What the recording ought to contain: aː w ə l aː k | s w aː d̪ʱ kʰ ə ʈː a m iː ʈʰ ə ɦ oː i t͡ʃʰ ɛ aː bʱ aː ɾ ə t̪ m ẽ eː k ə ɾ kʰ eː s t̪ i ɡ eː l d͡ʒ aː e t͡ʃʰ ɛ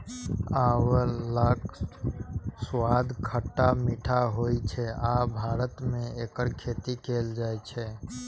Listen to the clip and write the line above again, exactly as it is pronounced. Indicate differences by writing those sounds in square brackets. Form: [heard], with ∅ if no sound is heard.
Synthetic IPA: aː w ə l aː k | s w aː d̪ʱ kʰ ə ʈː a m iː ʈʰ [a] ɦ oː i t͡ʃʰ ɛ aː bʱ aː ɾ ə t̪ m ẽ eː k ə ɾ kʰ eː [∅] t̪ i [k] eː l d͡ʒ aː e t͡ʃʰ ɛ